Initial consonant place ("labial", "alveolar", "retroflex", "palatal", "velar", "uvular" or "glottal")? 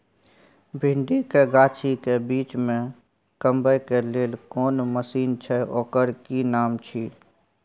labial